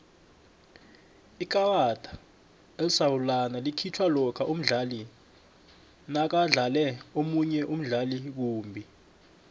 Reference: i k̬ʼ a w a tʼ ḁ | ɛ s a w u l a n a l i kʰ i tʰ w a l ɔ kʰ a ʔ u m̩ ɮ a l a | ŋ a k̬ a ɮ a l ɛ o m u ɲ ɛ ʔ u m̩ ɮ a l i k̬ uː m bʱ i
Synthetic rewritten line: i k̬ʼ a w a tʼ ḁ | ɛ s a w u l a n a l i kʰ i tʰ w a l ɔ kʰ a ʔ u m̩ ɮ a l i | n a k̬ a ɮ a l ɛ o m u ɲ ɛ ʔ u m̩ ɮ a l i k̬ uː m bʱ i